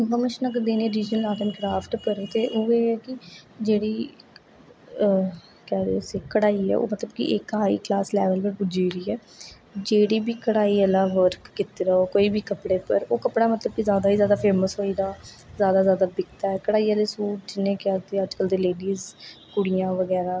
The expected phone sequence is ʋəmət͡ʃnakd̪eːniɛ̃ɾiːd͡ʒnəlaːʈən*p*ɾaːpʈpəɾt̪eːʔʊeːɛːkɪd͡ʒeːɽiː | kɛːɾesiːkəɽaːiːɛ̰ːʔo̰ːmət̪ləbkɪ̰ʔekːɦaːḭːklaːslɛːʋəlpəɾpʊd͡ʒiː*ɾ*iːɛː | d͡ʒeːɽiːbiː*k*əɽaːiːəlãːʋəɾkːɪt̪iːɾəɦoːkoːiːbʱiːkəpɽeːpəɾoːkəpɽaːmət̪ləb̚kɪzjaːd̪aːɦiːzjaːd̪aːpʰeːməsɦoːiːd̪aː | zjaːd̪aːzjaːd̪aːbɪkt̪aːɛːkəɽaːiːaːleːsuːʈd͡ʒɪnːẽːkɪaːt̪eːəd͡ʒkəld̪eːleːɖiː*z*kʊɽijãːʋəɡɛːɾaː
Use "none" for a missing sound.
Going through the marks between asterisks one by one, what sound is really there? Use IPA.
k, ɾ, k, z

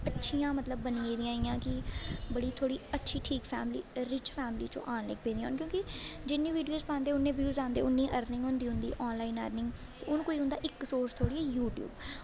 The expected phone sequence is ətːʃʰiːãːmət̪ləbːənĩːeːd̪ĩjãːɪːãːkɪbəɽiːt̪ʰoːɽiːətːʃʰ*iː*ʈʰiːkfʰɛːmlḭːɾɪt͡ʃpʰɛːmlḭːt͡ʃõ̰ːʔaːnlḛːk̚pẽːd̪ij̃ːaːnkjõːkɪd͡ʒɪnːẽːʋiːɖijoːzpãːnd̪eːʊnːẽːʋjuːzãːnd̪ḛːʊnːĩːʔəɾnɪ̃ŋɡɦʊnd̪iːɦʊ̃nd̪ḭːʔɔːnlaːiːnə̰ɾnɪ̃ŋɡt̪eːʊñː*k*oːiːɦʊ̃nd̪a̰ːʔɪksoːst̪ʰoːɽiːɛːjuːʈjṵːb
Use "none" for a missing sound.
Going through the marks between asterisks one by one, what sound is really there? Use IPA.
iː, k

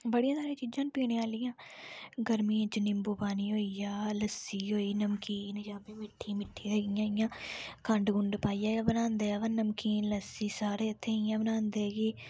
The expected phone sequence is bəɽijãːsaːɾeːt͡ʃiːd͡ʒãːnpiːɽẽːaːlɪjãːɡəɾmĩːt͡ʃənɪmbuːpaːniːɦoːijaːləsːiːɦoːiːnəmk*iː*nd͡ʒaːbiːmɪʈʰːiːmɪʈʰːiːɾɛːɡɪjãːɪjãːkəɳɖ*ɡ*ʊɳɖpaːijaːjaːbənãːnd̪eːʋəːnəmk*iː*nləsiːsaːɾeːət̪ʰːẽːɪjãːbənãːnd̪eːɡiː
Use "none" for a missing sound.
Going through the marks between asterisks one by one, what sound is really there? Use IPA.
iː, ɡ, iː

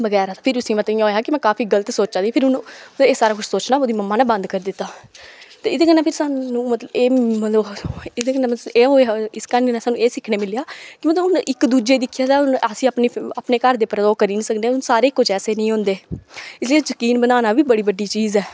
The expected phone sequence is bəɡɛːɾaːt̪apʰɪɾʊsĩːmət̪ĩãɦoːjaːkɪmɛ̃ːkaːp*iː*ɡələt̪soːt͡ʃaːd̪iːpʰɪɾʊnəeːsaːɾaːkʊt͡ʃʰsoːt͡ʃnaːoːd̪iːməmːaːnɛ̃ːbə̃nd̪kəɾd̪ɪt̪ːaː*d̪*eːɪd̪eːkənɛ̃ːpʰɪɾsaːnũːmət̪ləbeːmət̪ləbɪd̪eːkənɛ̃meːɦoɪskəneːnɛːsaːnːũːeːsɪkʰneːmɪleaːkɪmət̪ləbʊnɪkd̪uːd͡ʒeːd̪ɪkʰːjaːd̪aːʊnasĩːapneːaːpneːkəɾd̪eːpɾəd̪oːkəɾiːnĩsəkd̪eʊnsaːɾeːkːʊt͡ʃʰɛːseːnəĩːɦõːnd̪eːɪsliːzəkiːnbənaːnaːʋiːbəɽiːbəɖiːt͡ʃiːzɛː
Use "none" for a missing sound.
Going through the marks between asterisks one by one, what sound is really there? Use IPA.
iː, t̪

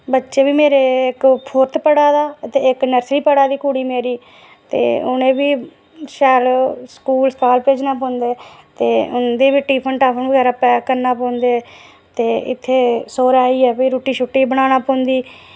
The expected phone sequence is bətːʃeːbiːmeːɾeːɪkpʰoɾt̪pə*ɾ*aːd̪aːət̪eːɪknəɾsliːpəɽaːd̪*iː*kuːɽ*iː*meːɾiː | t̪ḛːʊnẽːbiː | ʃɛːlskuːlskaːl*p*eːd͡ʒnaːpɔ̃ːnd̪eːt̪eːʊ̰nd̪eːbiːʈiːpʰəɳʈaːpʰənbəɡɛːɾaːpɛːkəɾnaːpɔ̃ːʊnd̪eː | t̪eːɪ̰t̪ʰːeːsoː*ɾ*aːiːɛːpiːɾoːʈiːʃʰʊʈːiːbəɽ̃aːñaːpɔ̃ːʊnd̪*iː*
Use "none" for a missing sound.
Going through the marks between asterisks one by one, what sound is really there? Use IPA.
ɽ, iː, iː, p, ɾ, iː

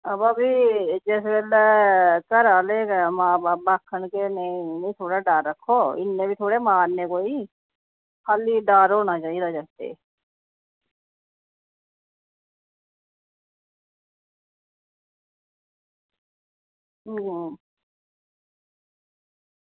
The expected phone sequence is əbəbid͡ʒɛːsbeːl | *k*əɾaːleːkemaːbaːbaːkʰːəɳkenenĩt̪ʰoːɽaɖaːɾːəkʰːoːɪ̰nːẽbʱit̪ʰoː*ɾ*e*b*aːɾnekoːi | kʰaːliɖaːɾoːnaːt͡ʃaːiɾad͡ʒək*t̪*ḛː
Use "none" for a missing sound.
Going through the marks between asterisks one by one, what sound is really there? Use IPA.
k, ɽ, m, t̪

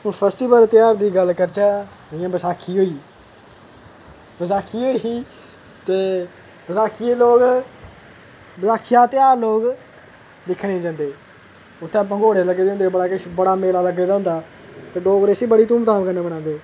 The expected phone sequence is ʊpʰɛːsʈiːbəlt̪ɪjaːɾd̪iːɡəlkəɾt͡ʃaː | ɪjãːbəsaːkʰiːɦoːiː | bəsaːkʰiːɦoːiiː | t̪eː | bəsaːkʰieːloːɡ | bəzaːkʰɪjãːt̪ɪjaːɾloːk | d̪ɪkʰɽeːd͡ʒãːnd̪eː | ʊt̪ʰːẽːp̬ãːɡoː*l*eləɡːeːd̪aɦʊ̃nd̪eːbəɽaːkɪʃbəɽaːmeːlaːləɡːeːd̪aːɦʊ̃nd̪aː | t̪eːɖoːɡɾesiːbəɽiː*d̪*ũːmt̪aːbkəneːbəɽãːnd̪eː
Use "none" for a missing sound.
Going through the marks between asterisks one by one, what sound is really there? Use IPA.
ɽ, t̪

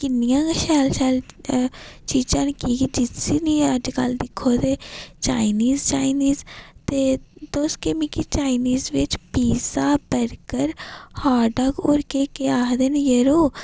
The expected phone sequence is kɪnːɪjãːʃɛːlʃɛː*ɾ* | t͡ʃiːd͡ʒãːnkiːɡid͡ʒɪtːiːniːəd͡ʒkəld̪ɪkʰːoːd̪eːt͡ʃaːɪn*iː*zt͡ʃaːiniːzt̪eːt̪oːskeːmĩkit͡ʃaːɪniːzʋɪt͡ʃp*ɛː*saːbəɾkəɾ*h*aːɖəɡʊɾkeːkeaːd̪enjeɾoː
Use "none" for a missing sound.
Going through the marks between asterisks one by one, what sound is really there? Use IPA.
l, iː, iː, h

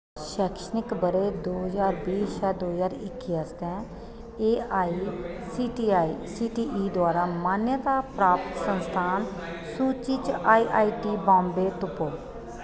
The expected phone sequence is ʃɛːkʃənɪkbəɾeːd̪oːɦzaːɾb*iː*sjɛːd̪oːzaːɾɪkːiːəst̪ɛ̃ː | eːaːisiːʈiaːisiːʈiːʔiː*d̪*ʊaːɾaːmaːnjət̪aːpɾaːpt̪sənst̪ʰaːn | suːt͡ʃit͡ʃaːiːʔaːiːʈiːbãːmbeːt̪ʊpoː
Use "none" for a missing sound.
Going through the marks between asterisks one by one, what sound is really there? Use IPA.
iː, d̪

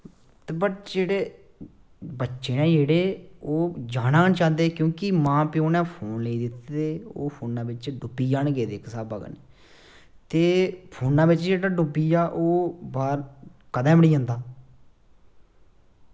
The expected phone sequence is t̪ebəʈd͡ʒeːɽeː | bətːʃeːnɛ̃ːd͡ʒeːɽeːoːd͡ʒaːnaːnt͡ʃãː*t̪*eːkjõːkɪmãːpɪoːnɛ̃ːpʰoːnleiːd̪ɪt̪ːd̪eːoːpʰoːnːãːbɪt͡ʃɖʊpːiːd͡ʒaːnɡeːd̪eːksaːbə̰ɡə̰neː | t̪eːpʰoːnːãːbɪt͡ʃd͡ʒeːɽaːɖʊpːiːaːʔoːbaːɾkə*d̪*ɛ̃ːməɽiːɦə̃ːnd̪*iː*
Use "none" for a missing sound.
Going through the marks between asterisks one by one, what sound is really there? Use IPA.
d̪, d̪, aː

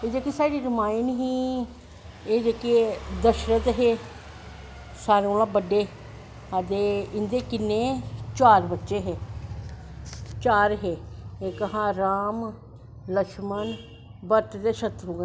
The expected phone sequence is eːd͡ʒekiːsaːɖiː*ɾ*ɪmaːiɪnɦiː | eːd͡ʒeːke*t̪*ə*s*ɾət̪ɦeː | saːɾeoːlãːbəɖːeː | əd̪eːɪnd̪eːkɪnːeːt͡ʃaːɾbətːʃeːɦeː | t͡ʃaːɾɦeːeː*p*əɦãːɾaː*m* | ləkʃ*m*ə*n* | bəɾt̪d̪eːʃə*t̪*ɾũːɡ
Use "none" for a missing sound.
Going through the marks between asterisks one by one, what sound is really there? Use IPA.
ɾ, d̪, ʃ, k, m, m, n, t̪

